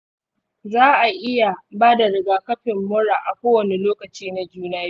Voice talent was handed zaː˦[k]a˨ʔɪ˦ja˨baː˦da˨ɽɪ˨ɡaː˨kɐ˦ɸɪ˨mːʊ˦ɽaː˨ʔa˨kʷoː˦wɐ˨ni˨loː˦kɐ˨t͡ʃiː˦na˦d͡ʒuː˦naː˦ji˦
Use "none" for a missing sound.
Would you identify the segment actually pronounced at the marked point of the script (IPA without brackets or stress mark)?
ʔ